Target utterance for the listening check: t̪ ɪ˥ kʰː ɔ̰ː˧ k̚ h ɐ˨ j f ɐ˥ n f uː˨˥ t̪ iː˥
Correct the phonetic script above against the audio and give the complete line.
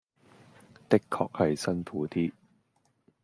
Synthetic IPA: t̪ ɪ˥ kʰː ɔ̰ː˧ k̚ h ɐ˨ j s ɐ˥ n f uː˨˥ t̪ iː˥